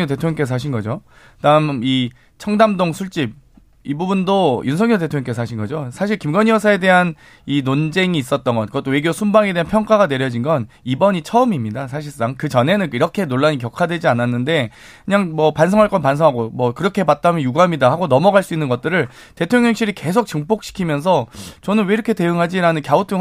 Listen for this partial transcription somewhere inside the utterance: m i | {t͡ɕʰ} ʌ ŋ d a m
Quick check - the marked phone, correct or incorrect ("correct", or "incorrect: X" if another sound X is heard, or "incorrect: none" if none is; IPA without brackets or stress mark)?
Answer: correct